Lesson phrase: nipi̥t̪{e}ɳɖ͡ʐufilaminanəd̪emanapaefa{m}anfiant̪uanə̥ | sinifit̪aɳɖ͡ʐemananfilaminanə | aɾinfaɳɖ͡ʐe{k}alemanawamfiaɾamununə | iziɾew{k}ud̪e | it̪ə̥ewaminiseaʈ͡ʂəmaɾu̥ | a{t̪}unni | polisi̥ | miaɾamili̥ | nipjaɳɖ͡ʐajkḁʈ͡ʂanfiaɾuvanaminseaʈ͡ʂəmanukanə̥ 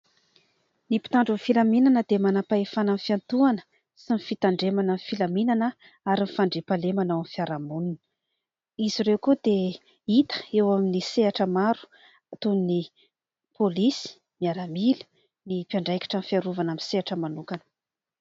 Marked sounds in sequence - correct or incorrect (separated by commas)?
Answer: incorrect, incorrect, incorrect, correct, correct